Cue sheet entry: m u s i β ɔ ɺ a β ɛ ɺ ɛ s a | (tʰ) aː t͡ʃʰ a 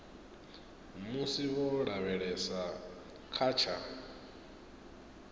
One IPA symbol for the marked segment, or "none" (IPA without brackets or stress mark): kʰ